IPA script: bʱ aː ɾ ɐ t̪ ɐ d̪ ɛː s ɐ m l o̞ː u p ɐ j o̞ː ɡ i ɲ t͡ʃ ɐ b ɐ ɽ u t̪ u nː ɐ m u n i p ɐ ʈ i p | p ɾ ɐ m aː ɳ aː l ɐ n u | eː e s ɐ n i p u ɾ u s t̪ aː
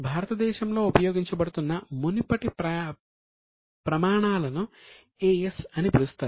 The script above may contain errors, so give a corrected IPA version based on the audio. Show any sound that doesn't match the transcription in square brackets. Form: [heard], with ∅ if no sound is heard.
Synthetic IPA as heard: bʱ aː ɾ ɐ t̪ ɐ d̪ ɛː [ʃ] ɐ m l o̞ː u p ɐ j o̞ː ɡ i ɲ t͡ʃ ɐ b ɐ ɽ u t̪ u nː ɐ m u n i p ɐ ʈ i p | p ɾ ɐ m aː ɳ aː l ɐ n u | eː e s ɐ n i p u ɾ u s t̪ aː